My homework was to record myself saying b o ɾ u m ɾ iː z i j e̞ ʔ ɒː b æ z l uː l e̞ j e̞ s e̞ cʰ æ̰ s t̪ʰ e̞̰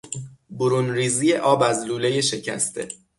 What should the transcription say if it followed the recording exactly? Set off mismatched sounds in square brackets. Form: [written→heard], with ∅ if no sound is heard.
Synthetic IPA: b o ɾ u [m→n] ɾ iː z i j e̞ ʔ ɒː b æ z l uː l e̞ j e̞ [s→ʃ] e̞ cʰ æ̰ s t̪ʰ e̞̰